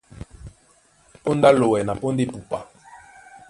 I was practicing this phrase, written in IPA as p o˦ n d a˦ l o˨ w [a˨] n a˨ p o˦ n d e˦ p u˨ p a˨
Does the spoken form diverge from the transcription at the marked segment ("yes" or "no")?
yes